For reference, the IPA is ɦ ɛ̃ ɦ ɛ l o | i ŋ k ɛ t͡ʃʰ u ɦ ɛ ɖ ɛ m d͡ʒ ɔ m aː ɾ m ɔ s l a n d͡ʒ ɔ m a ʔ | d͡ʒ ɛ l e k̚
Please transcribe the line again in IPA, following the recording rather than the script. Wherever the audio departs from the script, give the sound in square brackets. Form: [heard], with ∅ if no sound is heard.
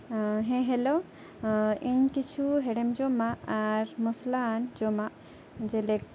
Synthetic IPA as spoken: ɦ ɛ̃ ɦ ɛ l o | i [ɲ] k [i] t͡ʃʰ u ɦ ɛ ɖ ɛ m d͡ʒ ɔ m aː ɾ m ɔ s l a n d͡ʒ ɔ m a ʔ | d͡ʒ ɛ l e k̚